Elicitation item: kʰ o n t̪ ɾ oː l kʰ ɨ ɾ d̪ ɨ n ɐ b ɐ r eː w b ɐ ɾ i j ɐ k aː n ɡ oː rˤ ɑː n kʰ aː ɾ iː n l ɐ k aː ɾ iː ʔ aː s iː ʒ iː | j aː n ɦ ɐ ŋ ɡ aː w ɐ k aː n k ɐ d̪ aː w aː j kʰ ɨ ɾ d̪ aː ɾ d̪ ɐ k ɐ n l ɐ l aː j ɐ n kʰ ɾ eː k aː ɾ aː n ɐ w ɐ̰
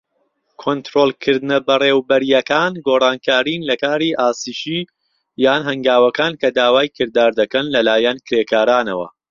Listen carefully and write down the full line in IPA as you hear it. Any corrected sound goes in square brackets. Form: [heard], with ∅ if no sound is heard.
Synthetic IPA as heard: kʰ o n t̪ ɾ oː l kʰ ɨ ɾ d̪ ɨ n ɐ b ɐ r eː w b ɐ ɾ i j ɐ k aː n ɡ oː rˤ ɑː n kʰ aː ɾ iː n l ɐ k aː ɾ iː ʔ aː s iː [ʃ] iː | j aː n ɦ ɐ ŋ ɡ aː w ɐ k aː n k ɐ d̪ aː w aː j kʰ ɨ ɾ d̪ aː ɾ d̪ ɐ k ɐ n l ɐ l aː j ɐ n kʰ ɾ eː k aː ɾ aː n ɐ w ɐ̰